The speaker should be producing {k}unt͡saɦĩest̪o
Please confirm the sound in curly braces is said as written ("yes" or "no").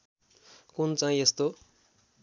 yes